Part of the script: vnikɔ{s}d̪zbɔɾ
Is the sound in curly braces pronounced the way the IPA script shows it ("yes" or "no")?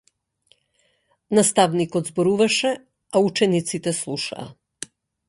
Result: no